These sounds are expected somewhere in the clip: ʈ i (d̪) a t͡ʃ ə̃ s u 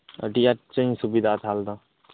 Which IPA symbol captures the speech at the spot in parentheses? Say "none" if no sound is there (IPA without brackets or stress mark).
none